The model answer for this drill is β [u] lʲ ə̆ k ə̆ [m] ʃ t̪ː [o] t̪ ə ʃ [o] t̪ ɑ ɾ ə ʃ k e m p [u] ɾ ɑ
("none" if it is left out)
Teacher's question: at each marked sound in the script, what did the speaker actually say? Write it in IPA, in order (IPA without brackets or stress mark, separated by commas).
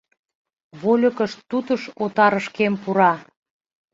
o, none, u, o, u